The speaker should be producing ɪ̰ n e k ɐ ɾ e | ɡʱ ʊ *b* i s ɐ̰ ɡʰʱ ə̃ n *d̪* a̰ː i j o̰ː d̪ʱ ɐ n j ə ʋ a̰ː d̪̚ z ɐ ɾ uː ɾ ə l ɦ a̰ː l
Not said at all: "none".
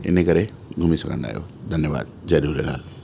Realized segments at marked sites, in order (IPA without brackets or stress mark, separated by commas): m, d̪